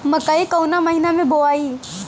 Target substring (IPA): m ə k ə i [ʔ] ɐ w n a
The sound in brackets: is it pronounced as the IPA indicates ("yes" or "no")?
no